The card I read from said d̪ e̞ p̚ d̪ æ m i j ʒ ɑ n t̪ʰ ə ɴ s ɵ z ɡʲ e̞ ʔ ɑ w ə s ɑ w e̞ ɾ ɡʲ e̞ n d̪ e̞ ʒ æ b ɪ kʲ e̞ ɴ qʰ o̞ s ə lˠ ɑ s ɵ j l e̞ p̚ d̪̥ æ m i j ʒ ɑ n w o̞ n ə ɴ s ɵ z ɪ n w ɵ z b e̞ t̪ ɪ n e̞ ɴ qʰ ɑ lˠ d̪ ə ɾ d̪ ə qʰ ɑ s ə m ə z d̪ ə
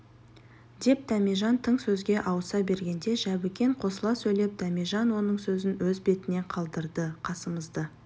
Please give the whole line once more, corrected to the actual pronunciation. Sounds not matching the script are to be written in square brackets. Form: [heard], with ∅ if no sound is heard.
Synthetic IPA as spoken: d̪ e̞ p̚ d̪ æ m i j ʒ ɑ n t̪ʰ ə ɴ s ɵ z ɡʲ e̞ ʔ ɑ w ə s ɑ [b] e̞ ɾ ɡʲ e̞ n d̪ e̞ ʒ æ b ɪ kʲ e̞ ɴ qʰ o̞ s ə lˠ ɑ s ɵ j l e̞ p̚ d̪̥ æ m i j ʒ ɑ n w o̞ n ə ɴ s ɵ z ɪ n w ɵ z b e̞ t̪ ɪ n e̞ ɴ qʰ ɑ lˠ d̪ ə ɾ d̪ ə qʰ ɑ s ə m ə z d̪ ə